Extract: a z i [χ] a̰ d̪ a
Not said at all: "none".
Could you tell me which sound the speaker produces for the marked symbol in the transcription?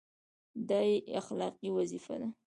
f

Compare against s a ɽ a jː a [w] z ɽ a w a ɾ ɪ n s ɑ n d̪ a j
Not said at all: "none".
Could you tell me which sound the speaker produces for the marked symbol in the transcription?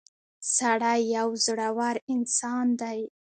w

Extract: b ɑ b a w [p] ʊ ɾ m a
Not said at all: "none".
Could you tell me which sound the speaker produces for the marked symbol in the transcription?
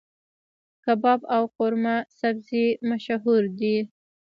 q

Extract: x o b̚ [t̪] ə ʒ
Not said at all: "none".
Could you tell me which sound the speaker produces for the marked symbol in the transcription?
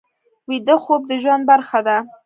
d̪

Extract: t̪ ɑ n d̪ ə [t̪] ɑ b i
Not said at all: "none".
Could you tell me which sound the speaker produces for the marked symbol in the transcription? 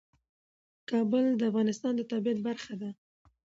t̪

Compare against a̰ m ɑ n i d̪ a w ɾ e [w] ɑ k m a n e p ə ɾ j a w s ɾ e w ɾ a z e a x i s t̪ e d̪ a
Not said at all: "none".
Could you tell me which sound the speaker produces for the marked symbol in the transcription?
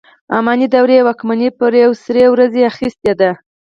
w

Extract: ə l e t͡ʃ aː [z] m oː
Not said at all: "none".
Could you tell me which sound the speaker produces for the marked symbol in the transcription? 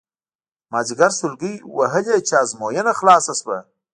z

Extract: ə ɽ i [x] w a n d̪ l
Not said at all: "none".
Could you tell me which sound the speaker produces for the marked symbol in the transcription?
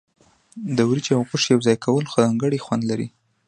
x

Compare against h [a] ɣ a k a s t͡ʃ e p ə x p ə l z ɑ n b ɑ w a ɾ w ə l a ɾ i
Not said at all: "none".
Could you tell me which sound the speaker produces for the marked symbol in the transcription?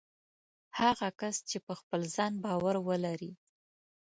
a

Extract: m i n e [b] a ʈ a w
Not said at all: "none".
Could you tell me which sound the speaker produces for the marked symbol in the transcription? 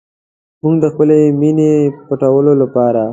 p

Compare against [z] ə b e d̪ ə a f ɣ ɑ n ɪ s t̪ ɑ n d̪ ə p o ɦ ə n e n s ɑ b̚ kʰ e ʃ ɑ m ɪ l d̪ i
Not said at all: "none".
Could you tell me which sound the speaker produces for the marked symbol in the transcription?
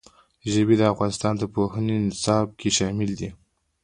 ʒ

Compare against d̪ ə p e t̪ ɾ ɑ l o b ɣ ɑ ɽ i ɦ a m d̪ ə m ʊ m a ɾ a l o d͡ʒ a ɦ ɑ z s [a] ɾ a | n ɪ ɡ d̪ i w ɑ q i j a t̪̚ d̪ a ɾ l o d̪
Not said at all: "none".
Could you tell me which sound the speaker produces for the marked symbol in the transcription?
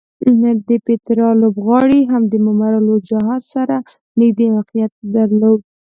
a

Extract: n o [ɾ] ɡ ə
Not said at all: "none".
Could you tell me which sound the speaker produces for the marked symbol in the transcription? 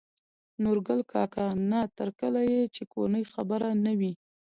ɾ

